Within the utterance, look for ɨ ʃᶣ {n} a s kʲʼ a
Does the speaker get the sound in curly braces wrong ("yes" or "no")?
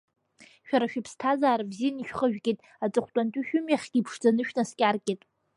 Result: no